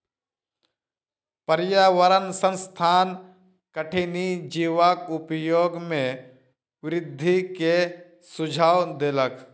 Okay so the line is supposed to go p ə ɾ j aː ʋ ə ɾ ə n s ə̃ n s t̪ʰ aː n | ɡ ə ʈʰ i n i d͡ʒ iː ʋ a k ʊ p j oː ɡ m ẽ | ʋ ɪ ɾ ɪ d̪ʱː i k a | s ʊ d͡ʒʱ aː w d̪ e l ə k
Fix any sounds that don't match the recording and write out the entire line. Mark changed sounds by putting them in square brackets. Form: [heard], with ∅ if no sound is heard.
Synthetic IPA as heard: p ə ɾ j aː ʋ ə ɾ ə n s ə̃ n s t̪ʰ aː n | [k] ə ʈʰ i n i d͡ʒ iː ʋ a k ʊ p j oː ɡ m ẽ | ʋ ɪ ɾ ɪ d̪ʱː i k [e] | s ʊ d͡ʒʱ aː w d̪ e l ə k